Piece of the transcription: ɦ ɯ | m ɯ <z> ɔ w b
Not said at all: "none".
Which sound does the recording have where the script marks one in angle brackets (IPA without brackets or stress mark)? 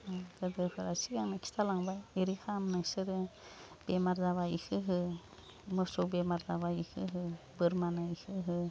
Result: s